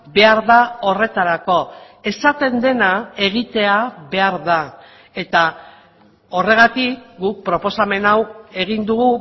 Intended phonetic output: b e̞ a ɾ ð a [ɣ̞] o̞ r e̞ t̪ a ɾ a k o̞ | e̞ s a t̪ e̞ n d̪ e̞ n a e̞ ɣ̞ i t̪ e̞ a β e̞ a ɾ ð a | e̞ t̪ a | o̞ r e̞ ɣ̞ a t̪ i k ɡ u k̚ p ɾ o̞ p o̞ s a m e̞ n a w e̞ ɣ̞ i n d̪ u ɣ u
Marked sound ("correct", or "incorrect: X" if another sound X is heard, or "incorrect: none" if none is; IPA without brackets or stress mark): incorrect: none